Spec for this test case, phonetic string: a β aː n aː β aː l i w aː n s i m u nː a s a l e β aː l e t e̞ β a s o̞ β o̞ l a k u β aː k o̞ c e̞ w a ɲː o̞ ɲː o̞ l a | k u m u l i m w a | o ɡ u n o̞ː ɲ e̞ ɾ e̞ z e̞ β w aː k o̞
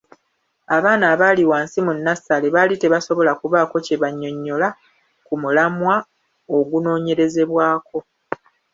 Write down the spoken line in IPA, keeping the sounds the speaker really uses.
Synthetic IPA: a β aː n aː β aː l i w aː n s i m u nː a s a l e β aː l i t e̞ β a s o̞ β o̞ l a k u β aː k o̞ c e̞ β a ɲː o̞ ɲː o̞ l a | k u m u l a m w a | o ɡ u n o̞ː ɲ e̞ ɾ e̞ z e̞ β w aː k o̞